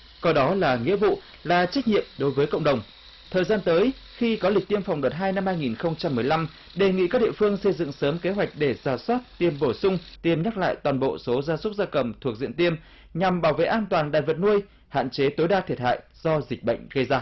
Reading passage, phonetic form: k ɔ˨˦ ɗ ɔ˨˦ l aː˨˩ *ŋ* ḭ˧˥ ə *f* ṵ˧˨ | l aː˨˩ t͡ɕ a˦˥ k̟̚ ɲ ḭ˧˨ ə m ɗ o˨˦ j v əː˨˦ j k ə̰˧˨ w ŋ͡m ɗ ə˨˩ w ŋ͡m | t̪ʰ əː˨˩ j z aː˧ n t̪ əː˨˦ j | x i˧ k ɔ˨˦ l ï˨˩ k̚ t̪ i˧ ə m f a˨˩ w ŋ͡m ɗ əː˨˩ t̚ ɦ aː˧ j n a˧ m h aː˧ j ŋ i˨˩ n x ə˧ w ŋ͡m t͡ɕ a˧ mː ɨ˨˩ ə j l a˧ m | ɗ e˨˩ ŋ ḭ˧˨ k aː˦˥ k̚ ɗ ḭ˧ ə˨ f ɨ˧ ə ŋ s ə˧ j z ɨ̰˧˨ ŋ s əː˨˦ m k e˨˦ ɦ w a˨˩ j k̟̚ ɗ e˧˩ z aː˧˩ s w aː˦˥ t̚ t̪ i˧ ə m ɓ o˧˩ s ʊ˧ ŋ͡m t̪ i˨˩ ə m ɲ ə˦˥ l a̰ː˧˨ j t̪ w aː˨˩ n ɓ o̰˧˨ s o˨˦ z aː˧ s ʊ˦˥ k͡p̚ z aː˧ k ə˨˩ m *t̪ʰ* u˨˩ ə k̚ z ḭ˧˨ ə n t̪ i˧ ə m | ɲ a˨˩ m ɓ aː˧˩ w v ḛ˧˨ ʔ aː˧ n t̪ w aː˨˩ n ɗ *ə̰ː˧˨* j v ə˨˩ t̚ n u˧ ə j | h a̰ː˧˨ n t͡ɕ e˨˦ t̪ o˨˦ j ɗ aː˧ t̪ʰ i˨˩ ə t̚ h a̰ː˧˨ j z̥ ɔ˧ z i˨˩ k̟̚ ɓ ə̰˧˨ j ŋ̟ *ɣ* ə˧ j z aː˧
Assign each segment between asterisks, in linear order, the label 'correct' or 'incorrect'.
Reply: correct, incorrect: v, correct, incorrect: a̰ː˧˨, correct

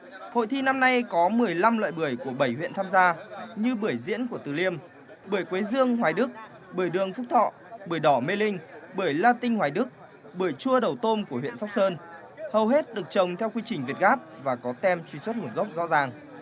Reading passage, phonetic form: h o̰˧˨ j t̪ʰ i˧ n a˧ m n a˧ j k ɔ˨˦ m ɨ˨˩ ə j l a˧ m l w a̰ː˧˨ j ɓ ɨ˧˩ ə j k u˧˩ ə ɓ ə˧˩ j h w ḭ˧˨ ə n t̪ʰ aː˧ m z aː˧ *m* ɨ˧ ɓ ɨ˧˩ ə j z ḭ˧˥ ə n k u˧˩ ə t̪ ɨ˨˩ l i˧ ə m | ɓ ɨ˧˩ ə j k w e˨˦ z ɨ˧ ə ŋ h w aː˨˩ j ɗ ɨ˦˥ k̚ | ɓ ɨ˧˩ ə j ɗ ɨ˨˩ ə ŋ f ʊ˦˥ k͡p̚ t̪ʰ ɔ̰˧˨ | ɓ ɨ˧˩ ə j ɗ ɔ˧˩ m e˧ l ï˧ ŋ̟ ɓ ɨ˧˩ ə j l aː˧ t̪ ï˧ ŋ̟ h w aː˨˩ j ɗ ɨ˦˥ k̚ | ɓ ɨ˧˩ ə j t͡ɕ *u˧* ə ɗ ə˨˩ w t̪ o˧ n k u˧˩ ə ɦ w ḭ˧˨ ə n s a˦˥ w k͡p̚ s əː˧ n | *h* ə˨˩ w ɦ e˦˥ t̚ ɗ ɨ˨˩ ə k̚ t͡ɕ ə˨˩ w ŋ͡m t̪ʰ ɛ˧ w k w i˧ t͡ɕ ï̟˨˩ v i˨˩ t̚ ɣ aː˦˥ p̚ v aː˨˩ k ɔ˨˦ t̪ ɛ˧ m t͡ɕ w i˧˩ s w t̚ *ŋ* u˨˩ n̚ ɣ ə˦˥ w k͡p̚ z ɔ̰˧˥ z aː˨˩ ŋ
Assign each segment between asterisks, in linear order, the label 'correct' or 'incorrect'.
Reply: incorrect: ɲ, correct, correct, correct

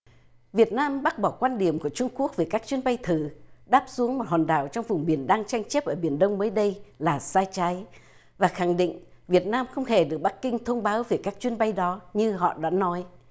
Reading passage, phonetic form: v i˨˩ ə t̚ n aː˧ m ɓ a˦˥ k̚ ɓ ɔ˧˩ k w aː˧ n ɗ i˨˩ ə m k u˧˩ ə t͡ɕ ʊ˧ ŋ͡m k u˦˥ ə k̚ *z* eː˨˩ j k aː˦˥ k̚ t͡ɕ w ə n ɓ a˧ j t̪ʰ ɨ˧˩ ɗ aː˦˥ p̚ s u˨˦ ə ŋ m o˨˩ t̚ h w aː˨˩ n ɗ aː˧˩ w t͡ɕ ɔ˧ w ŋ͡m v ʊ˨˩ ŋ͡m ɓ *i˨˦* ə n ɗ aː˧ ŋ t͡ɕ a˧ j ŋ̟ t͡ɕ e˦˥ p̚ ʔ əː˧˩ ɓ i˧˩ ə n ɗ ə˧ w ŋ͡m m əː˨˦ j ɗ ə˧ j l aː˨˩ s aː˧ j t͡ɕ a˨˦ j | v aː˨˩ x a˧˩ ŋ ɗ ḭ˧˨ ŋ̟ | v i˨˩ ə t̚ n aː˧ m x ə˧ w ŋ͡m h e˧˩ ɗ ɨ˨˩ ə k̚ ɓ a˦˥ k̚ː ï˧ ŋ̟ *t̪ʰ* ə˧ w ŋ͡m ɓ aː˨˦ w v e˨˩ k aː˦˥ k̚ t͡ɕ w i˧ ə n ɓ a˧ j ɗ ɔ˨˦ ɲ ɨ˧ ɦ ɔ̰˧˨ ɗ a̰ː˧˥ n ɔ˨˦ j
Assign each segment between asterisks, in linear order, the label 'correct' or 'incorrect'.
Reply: incorrect: v, incorrect: i˨˧˩, correct

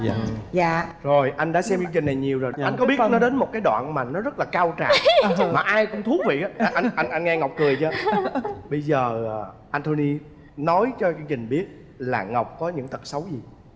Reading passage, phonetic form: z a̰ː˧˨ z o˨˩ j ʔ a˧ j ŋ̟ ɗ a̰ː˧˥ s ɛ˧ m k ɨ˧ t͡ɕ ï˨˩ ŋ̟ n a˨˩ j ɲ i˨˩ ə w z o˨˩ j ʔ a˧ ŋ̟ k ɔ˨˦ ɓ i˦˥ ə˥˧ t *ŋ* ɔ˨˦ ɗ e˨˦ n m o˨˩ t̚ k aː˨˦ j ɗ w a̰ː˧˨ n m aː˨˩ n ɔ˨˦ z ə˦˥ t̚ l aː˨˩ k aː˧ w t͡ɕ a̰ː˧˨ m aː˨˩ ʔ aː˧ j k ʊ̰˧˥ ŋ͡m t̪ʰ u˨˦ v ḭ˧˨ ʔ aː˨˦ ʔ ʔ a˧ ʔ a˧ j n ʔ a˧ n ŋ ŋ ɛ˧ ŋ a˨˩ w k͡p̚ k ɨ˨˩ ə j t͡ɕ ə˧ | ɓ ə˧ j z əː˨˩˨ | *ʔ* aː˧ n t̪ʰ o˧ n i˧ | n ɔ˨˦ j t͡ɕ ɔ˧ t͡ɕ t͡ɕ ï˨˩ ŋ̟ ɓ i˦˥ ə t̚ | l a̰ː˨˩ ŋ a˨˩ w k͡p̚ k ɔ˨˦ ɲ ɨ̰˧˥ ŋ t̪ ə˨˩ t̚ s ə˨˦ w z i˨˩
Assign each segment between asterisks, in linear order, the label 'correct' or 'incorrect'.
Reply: incorrect: n, correct

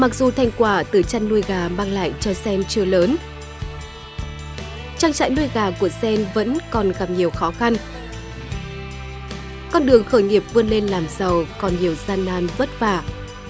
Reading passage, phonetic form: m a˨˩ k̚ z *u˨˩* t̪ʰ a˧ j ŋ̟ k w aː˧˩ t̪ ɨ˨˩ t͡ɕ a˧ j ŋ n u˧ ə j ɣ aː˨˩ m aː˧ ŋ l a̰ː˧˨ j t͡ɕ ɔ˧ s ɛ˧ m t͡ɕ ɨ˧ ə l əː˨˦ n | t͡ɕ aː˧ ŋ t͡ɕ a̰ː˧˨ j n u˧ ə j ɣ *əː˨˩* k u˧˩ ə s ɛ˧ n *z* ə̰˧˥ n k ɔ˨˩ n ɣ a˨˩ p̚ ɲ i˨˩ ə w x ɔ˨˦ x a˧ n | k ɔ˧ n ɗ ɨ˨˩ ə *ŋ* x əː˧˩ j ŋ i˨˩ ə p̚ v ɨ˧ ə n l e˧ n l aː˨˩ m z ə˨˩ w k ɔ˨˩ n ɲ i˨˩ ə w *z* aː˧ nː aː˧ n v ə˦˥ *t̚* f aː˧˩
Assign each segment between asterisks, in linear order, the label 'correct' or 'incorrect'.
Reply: correct, incorrect: aː˨˩, incorrect: v, correct, correct, correct

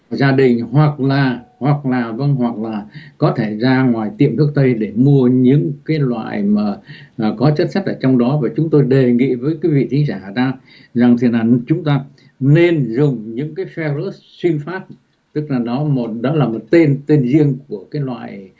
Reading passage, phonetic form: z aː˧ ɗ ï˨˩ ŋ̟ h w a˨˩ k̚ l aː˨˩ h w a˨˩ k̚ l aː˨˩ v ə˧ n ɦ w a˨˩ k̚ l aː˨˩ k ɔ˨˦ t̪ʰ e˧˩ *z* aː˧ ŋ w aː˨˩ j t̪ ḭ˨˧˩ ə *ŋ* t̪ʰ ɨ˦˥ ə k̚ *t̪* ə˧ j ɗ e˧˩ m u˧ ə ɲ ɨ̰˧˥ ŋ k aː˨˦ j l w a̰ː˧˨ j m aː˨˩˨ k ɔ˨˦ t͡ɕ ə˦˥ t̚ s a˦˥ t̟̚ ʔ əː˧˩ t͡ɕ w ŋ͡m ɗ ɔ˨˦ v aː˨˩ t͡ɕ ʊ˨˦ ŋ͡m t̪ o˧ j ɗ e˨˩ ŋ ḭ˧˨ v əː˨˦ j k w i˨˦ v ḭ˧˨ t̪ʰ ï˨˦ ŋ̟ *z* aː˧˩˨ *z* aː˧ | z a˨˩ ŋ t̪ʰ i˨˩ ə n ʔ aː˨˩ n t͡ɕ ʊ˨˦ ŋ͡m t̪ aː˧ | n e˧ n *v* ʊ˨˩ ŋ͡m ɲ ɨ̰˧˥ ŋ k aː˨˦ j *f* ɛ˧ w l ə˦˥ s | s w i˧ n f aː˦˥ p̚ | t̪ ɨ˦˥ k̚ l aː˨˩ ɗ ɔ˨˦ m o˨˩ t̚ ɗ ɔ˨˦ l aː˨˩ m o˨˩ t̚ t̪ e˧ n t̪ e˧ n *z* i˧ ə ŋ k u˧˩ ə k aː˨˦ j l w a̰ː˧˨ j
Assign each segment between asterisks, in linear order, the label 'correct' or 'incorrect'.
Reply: correct, incorrect: m, correct, correct, correct, incorrect: z, correct, correct

